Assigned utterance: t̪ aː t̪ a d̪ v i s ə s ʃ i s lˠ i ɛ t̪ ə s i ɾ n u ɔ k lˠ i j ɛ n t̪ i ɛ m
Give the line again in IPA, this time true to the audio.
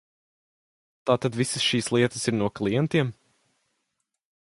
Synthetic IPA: t̪ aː t̪ a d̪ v i s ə s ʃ iː s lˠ i ɛ t̪ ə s i ɾ n u ɔ k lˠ i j ɛ n t̪ i ɛ m

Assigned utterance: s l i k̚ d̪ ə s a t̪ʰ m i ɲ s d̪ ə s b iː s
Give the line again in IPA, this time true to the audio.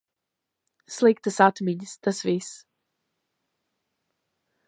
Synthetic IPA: s l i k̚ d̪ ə s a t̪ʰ m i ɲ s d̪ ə s v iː s

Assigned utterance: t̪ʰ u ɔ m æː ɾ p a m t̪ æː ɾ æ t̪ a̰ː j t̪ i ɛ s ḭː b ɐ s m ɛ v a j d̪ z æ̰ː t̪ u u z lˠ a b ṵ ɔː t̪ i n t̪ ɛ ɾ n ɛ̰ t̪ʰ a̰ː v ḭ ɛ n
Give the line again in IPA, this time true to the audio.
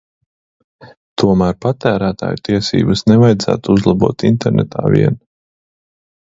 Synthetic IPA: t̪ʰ u ɔ m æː ɾ p a t̪ æː ɾ æː t̪ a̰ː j t̪ i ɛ s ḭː b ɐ s n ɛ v a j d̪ z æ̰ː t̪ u u z lˠ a b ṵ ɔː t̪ i n t̪ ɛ ɾ n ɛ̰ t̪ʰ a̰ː v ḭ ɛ n

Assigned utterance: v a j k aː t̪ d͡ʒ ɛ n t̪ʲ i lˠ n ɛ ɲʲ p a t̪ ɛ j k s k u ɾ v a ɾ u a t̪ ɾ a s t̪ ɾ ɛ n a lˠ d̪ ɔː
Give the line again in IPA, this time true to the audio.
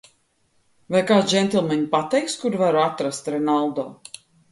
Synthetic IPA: v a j k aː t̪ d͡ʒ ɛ n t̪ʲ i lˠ m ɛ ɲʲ p a t̪ ɛ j k s k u ɾ v a ɾ u a t̪ ɾ a s t̪ ɾ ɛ n a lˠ d̪ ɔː

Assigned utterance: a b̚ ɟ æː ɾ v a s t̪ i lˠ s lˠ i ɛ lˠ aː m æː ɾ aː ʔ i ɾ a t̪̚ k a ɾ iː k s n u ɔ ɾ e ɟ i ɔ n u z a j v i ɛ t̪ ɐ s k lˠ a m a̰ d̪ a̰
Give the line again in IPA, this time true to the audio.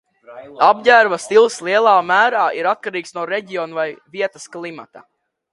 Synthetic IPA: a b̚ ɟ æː ɾ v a s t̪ i lˠ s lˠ i ɛ lˠ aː m æː ɾ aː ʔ i ɾ a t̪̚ k a ɾ iː k s n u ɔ ɾ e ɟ i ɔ n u v a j v i ɛ t̪ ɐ s k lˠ i m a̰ t̪ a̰

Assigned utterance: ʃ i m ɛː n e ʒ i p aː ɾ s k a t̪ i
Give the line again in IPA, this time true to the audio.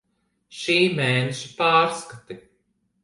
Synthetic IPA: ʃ iː m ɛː n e ʃ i p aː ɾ s k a t̪ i

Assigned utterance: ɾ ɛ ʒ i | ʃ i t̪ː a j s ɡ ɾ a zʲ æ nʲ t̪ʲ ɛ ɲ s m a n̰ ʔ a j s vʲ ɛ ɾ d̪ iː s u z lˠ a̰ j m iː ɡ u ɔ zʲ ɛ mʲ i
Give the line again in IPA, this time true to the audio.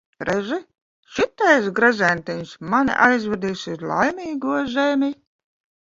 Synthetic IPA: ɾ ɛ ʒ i | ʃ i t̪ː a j s ɡ ɾ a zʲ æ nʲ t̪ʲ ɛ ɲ s m a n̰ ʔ a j z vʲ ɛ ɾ d̪ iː s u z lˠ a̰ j m iː ɡ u ɔ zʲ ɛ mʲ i

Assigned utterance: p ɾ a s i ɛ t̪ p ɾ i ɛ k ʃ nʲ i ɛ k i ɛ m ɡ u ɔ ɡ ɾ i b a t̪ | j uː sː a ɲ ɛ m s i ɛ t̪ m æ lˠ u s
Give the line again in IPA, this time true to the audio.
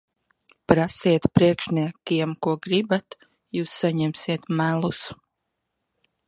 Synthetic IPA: p ɾ a s i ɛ t̪ p ɾ i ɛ k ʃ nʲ i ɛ k i ɛ m k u ɔ ɡ ɾ i b a t̪ | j uː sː a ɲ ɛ m s i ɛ t̪ m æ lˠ u s

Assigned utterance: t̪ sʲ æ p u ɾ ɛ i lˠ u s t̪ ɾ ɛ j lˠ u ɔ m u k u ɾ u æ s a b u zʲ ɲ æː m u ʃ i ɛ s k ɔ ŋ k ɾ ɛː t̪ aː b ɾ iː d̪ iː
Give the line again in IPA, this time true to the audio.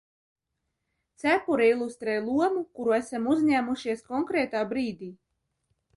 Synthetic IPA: t̪ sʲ æ p u ɾ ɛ i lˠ u s t̪ ɾ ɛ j lˠ u ɔ m u k u ɾ u æ s a m u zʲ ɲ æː m u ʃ i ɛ s k ɔ ŋ k ɾ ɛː t̪ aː b ɾ iː d̪ iː

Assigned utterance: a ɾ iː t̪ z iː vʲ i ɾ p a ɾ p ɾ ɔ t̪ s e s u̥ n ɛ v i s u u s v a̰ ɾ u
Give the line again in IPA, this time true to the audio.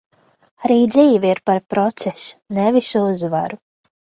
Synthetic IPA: a ɾ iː d̪ z iː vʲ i ɾ p a ɾ p ɾ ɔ t̪ s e s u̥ n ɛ v i s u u z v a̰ ɾ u

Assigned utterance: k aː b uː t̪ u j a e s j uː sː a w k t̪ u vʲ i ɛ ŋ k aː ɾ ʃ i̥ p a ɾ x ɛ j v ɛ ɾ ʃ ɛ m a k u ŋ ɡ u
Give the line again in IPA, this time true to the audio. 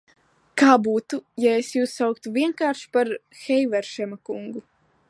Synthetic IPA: k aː b uː t̪ u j a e s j uː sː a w k t̪ u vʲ i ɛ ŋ k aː ɾ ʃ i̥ p a ɾ x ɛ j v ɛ ɾ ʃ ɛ m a k u ŋ ɡ u

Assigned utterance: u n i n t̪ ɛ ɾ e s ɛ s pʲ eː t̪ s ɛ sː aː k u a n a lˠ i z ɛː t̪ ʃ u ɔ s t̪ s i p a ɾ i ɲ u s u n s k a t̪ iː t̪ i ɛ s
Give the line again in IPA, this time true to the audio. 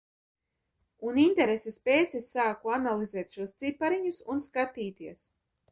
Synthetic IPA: u n i n t̪ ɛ ɾ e s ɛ s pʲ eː t̪ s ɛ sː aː k u a n a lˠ i z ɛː t̪ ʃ u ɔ s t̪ s i p a ɾ i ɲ u s u n s k a t̪ iː t̪ i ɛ s

